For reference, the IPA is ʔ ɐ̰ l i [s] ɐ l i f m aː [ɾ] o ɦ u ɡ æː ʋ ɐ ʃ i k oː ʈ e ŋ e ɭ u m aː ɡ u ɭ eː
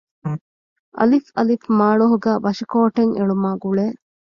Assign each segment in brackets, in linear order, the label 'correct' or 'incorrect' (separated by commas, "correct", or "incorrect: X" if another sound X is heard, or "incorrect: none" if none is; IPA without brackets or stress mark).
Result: incorrect: f, incorrect: ɭ